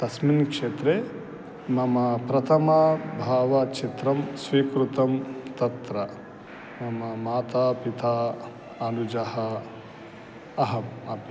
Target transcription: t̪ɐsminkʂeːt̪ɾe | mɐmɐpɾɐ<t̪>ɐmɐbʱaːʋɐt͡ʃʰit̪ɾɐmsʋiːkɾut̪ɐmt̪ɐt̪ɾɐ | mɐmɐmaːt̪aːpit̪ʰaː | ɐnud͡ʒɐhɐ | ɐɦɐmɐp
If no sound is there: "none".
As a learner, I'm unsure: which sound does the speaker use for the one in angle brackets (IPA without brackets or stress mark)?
t̪ʰ